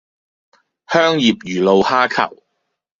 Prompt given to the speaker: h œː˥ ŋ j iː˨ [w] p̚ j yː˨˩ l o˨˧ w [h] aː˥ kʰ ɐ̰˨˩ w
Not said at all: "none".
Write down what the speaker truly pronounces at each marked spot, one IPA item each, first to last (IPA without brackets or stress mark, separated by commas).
none, h